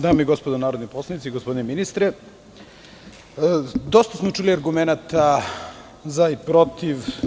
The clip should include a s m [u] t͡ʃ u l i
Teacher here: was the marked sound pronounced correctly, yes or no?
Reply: no